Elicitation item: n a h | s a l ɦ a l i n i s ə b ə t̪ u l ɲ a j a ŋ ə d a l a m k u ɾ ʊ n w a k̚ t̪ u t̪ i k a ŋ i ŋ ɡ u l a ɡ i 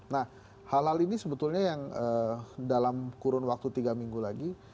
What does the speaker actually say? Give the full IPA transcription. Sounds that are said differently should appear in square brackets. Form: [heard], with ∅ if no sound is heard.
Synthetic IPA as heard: n a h | [h] a l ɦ a l i n i s ə b ə t̪ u l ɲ a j a ŋ ə d a l a m k u ɾ ʊ n w a k̚ t̪ u t̪ i [ɡ] a [m] i ŋ ɡ u l a ɡ i